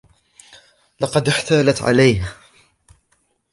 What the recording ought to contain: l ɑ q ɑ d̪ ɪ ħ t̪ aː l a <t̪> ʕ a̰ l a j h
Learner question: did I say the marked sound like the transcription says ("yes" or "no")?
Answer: yes